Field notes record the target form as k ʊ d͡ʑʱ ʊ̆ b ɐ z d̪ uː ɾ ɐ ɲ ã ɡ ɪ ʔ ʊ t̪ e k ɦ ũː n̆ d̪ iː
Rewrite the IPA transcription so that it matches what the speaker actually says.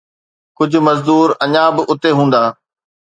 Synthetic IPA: k ʊ d͡ʑʱ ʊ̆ m ɐ z d̪ uː ɾ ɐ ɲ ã b ɪ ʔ ʊ t̪ e ɦ ũː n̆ d̪ aː